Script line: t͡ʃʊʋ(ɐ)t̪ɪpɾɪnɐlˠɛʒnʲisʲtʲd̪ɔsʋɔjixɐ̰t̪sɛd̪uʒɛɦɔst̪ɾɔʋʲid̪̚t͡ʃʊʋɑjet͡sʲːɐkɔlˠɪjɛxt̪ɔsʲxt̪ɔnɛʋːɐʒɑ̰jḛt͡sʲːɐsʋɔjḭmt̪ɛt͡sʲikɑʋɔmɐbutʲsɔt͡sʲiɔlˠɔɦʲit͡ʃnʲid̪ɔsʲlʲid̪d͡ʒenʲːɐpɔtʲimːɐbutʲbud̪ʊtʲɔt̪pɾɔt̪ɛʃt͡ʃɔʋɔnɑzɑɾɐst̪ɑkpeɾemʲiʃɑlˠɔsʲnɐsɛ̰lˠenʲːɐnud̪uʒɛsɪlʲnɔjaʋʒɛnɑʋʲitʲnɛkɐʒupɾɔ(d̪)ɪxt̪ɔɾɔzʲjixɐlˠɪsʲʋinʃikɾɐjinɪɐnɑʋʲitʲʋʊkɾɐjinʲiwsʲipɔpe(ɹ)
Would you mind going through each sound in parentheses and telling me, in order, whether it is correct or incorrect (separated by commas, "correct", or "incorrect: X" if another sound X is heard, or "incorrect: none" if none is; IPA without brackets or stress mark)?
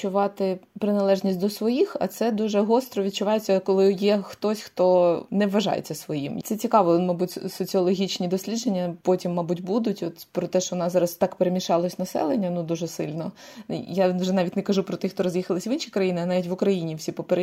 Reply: incorrect: ɑ, incorrect: t̪, incorrect: ɾ